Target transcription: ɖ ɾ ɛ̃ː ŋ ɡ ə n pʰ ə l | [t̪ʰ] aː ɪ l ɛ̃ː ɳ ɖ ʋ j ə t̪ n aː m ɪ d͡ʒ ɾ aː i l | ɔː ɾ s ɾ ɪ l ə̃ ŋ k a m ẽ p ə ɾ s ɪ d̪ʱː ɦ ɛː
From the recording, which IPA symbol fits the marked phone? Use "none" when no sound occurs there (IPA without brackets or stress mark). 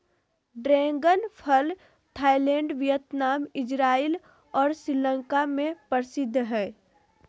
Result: t̪ʰ